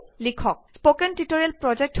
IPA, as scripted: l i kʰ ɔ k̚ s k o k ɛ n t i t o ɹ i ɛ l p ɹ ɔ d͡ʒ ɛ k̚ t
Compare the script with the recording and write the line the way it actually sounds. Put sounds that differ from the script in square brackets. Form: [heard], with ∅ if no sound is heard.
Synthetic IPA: l i kʰ ɔ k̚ s [p] o k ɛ n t i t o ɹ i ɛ l p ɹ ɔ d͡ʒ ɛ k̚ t

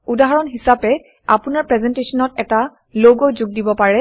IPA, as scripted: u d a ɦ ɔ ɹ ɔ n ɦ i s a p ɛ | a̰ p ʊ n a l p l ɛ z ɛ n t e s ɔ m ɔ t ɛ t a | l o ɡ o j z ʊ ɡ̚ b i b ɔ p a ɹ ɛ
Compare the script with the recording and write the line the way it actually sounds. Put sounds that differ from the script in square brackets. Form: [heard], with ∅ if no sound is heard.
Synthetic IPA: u d a ɦ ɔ ɹ ɔ n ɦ i s a p ɛ | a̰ p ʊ n a [ɹ] p [ɹ] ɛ z ɛ n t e s ɔ [n] ɔ t ɛ t a | l o ɡ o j z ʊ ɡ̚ [d] i b ɔ p a ɹ ɛ

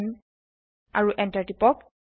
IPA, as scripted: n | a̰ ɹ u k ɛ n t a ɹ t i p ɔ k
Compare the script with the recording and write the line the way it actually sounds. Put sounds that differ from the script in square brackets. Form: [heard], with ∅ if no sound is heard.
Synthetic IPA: n | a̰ ɹ u [ʔ] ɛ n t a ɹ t i p ɔ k

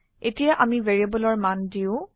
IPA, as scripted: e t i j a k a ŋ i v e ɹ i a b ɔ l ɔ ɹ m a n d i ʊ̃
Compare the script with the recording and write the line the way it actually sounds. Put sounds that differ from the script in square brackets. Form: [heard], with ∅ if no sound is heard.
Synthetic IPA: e t i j a [ʔ] a [m] i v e ɹ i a b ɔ l ɔ ɹ m a n d i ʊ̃

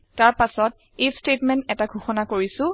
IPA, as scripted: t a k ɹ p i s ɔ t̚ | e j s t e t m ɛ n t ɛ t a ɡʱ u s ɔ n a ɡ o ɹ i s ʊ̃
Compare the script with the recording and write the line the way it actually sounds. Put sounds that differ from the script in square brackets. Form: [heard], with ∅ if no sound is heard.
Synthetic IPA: t a [∅] ɹ p [a] s ɔ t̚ | e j s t e t m ɛ n t ɛ t a ɡʱ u [x] ɔ n a [k] o ɹ i s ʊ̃

